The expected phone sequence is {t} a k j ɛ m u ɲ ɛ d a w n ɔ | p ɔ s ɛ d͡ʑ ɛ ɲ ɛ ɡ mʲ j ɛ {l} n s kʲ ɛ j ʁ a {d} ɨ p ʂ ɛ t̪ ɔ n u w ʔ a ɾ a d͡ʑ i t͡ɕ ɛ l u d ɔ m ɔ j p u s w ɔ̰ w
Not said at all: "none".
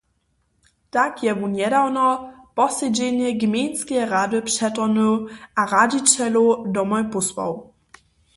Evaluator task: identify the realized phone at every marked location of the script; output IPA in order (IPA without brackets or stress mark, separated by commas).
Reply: t, none, d